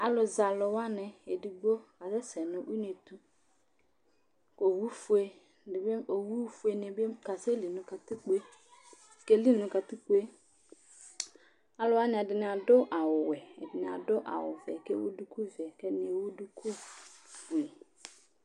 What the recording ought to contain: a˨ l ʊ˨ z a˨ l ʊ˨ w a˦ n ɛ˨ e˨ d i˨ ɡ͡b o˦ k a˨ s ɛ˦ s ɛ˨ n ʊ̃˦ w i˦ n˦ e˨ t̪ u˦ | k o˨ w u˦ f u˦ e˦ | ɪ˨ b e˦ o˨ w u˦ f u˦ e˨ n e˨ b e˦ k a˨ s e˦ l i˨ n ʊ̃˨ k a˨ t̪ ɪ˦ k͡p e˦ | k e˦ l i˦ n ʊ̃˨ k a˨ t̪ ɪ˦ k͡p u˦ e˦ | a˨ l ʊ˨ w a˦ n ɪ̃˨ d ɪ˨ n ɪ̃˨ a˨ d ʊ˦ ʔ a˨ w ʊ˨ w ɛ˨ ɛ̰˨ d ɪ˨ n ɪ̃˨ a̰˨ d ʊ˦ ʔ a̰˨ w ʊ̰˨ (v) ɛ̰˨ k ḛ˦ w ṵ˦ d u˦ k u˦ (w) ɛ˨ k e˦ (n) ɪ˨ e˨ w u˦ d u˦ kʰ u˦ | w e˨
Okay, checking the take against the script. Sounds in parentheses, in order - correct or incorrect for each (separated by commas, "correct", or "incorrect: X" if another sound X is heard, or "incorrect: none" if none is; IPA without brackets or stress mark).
correct, incorrect: v, correct